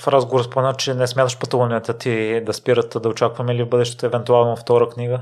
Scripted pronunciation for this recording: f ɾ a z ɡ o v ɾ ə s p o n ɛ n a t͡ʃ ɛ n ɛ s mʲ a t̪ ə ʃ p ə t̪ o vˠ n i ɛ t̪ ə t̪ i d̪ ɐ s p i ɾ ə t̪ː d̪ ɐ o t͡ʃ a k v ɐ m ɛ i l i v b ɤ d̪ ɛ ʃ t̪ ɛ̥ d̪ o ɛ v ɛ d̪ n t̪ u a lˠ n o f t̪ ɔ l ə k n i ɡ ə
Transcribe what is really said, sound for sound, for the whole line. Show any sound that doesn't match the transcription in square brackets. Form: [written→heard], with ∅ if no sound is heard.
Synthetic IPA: f ɾ a z ɡ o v ɾ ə s p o [n→m] ɛ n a t͡ʃ ɛ n ɛ s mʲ a t̪ ə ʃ p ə t̪ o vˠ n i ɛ t̪ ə t̪ i d̪ ɐ s p i ɾ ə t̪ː d̪ ɐ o t͡ʃ a k v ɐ m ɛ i l i v b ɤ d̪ ɛ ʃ t̪ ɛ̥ [d̪→t̪] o ɛ v ɛ [d̪→∅] n t̪ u a lˠ n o f t̪ ɔ [l→ɾ] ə k n i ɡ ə